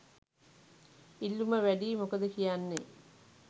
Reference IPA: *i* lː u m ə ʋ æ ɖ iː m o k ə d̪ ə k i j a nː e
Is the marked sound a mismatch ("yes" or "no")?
no